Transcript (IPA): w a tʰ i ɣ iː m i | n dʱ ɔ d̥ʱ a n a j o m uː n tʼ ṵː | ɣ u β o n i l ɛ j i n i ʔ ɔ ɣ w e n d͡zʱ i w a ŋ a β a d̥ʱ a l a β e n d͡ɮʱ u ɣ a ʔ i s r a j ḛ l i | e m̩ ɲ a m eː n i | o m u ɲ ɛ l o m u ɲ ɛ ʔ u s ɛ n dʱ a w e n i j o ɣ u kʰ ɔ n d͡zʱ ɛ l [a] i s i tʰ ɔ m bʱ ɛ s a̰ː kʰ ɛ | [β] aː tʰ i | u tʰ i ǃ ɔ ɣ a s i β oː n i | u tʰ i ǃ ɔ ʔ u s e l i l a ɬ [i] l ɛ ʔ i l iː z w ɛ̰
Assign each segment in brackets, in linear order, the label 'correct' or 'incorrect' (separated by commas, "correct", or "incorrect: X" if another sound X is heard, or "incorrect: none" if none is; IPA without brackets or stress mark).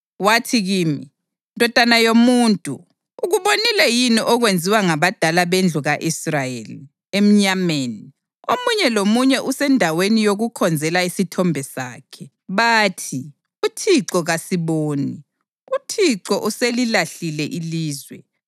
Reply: correct, correct, correct